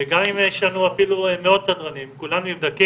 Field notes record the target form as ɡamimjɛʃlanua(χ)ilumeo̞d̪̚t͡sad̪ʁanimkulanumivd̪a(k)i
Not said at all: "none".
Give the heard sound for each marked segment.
f, k

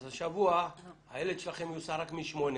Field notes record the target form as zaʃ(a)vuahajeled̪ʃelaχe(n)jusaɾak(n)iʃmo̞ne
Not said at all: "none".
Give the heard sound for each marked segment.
a, m, m

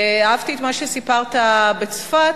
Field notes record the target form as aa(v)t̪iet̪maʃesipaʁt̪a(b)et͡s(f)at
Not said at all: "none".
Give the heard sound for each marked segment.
v, b, f

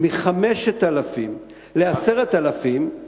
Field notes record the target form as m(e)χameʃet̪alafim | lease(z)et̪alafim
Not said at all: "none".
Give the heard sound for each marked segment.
i, ʁ

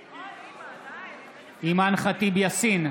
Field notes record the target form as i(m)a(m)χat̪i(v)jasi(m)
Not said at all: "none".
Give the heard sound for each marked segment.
m, n, b, n

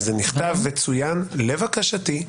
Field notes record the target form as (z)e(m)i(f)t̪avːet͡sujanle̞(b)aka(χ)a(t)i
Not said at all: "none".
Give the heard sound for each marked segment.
z, n, χ, v, ʃ, t

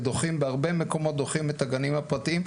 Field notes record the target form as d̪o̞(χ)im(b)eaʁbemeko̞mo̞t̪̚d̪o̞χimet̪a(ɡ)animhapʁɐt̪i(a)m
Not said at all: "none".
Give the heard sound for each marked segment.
χ, b, ɡ, i

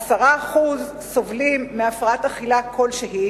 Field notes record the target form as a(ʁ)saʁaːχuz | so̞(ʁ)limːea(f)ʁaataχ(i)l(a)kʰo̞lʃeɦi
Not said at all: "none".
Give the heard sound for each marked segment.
none, v, f, i, a

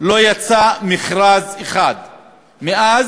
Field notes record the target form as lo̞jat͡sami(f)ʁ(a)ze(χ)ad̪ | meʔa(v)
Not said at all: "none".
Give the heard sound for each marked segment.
χ, a, χ, z

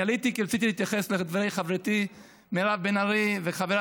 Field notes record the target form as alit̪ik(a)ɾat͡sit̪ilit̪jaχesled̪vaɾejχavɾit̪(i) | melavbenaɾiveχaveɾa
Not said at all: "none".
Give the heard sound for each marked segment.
i, i

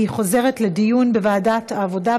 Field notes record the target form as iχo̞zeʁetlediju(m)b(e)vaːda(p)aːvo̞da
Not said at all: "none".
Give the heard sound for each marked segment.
n, e, t

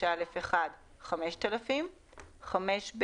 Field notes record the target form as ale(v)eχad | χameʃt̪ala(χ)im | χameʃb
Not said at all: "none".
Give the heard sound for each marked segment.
f, f

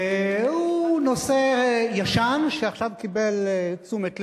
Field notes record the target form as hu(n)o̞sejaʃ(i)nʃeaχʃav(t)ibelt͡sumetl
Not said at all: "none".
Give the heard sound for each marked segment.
n, a, k

